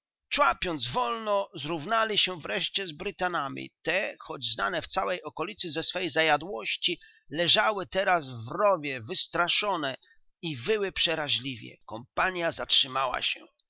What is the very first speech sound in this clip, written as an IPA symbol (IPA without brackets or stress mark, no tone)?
t͡ʂ